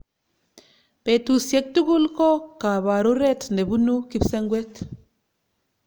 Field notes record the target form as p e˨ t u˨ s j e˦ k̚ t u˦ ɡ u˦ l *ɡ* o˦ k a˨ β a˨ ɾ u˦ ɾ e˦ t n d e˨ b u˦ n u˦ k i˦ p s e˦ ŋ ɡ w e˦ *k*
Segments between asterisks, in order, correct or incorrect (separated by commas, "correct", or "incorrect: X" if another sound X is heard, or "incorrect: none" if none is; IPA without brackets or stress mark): incorrect: k, incorrect: t